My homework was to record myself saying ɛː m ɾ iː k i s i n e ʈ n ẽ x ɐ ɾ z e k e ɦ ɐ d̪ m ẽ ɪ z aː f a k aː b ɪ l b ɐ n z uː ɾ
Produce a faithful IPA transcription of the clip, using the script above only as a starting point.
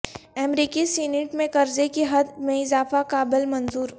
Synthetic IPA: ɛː m ɾ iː k i s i n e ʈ m ẽ k ɐ ɾ z e k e ɦ ɐ d̪ m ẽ ɪ z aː f a k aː b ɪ l m ɐ n z uː ɾ